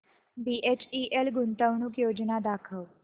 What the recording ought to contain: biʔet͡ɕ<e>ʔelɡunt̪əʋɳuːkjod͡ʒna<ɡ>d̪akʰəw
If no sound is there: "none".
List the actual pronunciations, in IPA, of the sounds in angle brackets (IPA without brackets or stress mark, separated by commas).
i, none